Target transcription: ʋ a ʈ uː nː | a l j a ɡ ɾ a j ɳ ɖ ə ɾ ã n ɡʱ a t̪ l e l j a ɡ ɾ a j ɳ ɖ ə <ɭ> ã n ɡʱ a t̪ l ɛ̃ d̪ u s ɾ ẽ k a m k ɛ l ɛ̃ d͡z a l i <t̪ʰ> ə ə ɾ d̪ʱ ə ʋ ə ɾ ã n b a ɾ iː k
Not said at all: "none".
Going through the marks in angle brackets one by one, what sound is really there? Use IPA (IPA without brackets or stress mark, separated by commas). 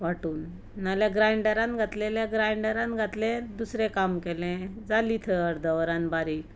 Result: ɾ, t̪ʰ